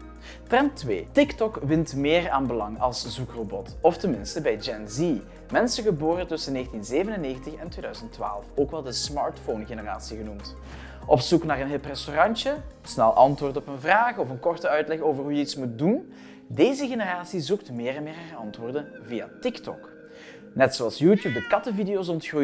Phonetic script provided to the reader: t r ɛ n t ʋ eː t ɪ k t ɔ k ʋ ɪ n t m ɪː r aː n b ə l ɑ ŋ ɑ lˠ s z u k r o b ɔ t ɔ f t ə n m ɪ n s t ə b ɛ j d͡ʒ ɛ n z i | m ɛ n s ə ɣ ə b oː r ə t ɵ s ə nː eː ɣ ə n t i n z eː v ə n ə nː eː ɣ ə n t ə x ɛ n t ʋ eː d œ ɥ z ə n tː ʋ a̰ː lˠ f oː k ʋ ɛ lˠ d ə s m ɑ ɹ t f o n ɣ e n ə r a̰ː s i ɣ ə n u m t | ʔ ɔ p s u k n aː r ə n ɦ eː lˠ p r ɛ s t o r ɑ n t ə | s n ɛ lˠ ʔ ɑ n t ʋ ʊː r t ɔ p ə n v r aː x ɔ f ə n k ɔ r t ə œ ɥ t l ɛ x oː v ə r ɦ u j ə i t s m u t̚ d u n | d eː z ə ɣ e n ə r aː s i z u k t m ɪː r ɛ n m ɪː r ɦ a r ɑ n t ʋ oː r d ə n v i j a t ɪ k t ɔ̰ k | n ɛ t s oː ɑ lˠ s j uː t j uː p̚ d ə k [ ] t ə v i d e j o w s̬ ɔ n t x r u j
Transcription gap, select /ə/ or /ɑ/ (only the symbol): ɑ